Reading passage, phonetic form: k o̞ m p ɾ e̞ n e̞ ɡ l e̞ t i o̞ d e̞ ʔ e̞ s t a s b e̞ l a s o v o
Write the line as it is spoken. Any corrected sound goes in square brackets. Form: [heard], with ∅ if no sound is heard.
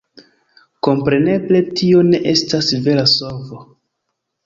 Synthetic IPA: k o̞ m p ɾ e̞ n e̞ [b] l e̞ t i o̞ [n] e̞ ʔ e̞ s t a s [v] e̞ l a s o v o

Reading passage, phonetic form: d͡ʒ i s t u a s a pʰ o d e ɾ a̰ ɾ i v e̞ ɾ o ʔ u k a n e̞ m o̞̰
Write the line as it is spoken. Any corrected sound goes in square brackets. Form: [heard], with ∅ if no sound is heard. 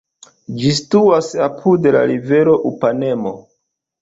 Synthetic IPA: d͡ʒ i s t u a s a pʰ [u] d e [l] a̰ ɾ i v e̞ ɾ o ʔ u [p] a n e̞ m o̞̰

